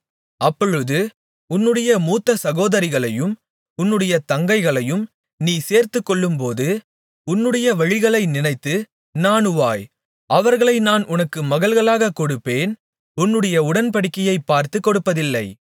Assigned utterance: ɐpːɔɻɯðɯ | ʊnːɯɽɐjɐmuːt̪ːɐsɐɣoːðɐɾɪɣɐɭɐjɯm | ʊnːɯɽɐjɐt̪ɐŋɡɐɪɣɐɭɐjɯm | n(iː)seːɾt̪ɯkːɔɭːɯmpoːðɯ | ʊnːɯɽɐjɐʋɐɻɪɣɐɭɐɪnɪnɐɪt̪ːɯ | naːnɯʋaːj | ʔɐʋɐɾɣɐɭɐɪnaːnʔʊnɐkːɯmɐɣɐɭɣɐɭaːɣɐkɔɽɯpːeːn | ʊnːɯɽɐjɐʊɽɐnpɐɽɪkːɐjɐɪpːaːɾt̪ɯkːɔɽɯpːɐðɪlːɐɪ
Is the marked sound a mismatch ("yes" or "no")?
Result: no